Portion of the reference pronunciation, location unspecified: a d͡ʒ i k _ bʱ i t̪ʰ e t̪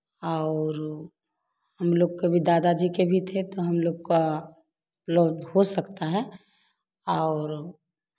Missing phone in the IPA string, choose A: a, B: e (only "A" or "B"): B